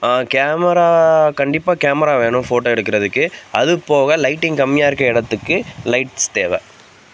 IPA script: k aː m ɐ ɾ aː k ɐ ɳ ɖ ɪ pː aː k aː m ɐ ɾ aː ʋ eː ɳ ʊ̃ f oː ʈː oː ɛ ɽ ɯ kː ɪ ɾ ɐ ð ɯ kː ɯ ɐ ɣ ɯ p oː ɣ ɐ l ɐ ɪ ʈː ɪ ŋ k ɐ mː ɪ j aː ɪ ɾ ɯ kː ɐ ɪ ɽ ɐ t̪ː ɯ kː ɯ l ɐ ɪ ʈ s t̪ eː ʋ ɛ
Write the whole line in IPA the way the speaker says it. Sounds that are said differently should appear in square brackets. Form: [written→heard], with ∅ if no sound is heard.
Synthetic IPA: k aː m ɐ ɾ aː k ɐ ɳ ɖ ɪ pː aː k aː m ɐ ɾ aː ʋ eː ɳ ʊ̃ f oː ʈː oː ɛ ɽ ɯ kː ɪ ɾ ɐ ð ɯ kː ɯ ɐ [ɣ→ð] ɯ p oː ɣ ɐ l ɐ ɪ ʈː ɪ ŋ k ɐ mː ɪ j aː ɪ ɾ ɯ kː ɐ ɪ ɽ ɐ t̪ː ɯ kː ɯ l ɐ ɪ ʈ s t̪ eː ʋ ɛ

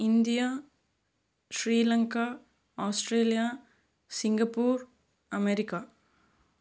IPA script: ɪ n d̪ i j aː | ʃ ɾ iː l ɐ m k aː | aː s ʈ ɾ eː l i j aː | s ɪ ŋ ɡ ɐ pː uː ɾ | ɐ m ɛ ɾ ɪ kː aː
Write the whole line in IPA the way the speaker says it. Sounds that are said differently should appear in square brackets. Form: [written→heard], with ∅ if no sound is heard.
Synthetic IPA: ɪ n d̪ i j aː | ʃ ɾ iː l ɐ [m→ŋ] k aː | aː s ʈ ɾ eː l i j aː | s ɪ ŋ ɡ ɐ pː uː ɾ | ɐ m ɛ ɾ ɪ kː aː

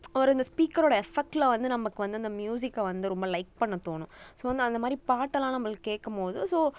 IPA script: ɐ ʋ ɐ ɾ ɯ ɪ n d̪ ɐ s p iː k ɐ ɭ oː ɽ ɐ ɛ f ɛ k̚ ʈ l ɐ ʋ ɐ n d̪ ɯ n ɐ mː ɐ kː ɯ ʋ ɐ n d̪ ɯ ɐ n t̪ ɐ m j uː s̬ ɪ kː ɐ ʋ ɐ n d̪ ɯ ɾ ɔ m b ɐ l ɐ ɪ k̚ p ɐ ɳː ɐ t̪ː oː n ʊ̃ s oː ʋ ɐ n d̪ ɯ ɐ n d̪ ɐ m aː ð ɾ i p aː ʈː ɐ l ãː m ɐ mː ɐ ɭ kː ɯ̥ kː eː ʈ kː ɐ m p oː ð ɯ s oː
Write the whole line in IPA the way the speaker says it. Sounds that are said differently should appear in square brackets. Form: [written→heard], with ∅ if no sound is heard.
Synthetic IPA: ɐ ʋ ɐ ɾ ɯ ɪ n d̪ ɐ s p iː k ɐ [ɭ→ɾ] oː ɽ ɐ ɛ f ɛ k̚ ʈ l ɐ ʋ ɐ n d̪ ɯ n ɐ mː ɐ kː ɯ ʋ ɐ n d̪ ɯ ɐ n [t̪→d̪] ɐ m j uː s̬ ɪ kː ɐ ʋ ɐ n d̪ ɯ ɾ ɔ m b ɐ l ɐ ɪ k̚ p ɐ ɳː ɐ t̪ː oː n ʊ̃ s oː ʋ ɐ n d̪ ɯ ɐ n d̪ ɐ m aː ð ɾ i p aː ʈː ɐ l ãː [m→n] ɐ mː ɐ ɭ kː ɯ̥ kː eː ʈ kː ɐ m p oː ð ɯ s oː

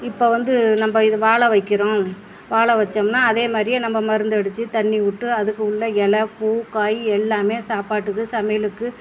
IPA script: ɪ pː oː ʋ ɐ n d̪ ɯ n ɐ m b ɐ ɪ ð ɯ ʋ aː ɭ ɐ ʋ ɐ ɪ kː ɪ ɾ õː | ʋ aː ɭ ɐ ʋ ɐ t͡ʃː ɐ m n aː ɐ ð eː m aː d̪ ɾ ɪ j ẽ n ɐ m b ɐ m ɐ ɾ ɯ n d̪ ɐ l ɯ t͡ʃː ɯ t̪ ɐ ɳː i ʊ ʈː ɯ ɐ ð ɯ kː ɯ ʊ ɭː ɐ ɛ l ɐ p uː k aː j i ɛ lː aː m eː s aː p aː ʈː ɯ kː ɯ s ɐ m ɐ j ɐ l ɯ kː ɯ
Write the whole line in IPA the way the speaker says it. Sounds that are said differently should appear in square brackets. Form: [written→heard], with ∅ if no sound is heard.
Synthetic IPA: ɪ pː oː ʋ ɐ n d̪ ɯ n ɐ m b ɐ ɪ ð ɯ ʋ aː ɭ ɐ ʋ ɐ ɪ kː ɪ ɾ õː | ʋ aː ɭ ɐ ʋ ɐ t͡ʃː ɐ m n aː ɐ ð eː m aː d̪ ɾ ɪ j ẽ n ɐ m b ɐ m ɐ ɾ ɯ n d̪ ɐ [l→ɽ] ɯ t͡ʃː ɯ t̪ ɐ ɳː i ʊ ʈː ɯ ɐ ð ɯ kː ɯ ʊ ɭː ɐ ɛ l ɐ p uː k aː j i ɛ lː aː m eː s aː p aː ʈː ɯ kː ɯ s ɐ m ɐ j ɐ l ɯ kː ɯ

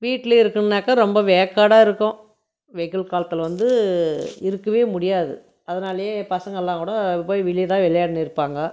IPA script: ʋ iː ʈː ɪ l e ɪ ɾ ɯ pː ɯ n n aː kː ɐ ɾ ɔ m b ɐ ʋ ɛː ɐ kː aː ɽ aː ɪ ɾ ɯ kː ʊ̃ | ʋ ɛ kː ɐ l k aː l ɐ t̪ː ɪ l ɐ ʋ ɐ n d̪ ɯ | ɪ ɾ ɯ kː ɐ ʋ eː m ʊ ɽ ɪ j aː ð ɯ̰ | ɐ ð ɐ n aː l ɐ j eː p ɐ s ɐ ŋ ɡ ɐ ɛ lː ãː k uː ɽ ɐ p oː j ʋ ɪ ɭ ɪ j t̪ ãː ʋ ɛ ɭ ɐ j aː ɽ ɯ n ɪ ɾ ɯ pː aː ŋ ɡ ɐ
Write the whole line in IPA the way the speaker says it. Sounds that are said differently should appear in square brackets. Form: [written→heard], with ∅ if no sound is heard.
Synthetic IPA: ʋ iː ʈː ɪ l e ɪ ɾ ɯ [pː→kː] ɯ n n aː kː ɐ ɾ ɔ m b ɐ ʋ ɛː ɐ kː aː ɽ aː ɪ ɾ ɯ kː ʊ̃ | ʋ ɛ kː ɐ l k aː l ɐ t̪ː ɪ l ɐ ʋ ɐ n d̪ ɯ | ɪ ɾ ɯ kː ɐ ʋ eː m ʊ ɽ ɪ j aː ð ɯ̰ | ɐ ð ɐ n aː l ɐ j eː p ɐ s ɐ ŋ ɡ ɐ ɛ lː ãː k uː ɽ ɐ p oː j ʋ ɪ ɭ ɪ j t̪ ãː ʋ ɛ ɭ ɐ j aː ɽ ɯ n ɪ ɾ ɯ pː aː ŋ ɡ ɐ

